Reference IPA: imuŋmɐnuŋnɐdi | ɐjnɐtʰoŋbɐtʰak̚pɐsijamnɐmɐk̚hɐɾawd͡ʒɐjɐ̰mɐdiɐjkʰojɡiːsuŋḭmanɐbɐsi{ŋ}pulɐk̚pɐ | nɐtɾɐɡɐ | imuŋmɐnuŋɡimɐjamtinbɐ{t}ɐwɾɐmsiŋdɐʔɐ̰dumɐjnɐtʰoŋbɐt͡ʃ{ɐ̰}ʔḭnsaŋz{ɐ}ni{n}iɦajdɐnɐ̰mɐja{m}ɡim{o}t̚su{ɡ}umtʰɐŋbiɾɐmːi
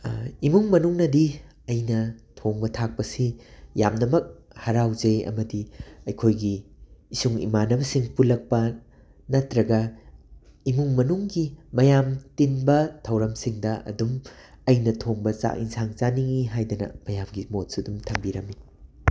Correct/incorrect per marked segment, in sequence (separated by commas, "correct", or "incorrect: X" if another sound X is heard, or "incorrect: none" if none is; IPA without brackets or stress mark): correct, incorrect: tʰ, incorrect: a̰, incorrect: a, incorrect: ŋ, correct, correct, incorrect: d